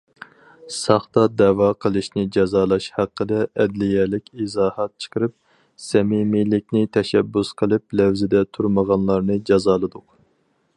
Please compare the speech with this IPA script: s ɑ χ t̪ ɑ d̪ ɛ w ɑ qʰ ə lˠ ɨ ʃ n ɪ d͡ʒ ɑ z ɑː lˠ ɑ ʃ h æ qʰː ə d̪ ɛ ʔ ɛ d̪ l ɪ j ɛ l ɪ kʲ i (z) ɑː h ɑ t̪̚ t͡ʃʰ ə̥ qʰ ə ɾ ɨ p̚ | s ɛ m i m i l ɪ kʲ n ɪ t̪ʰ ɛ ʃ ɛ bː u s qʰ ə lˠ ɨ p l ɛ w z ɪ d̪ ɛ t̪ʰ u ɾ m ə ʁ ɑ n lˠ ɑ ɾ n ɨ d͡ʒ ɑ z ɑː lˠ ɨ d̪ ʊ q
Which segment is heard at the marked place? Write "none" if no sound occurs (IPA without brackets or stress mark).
z